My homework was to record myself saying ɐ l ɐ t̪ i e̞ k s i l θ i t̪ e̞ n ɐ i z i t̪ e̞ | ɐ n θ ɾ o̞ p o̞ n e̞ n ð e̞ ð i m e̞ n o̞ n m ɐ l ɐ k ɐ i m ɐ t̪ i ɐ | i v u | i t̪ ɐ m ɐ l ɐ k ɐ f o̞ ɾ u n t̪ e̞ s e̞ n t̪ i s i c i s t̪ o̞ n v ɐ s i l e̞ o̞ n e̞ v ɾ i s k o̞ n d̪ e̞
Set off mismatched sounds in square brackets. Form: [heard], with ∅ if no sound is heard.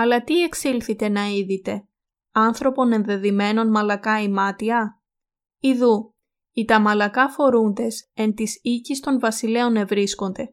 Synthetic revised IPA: ɐ l ɐ t̪ i e̞ k s i l θ i t̪ e̞ n ɐ i [ð] i t̪ e̞ | ɐ n θ ɾ o̞ p o̞ n e̞ n ð e̞ ð i m e̞ n o̞ n m ɐ l ɐ k ɐ i m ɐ t̪ i ɐ | i [ð] u | i t̪ ɐ m ɐ l ɐ k ɐ f o̞ ɾ u n [d̪] e̞ s e̞ n t̪ i s i c i s t̪ o̞ n v ɐ s i l e̞ o̞ n e̞ v ɾ i s k o̞ n d̪ e̞